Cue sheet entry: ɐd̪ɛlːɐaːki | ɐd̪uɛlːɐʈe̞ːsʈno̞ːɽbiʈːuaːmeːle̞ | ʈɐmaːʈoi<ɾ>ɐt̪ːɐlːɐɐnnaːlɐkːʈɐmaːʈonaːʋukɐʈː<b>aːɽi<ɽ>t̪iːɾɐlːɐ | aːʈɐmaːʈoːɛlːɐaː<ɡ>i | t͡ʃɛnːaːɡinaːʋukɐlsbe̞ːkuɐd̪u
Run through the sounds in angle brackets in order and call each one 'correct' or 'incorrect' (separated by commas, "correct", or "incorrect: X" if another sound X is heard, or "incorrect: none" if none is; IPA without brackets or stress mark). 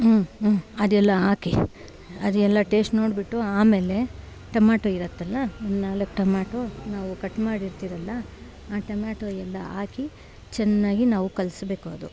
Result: correct, incorrect: m, incorrect: ɾ, incorrect: k